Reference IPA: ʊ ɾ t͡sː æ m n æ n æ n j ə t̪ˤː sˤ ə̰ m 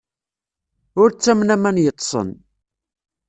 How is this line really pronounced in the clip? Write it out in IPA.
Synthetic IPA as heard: ʊ ɾ t͡sː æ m n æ m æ n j ə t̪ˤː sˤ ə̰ n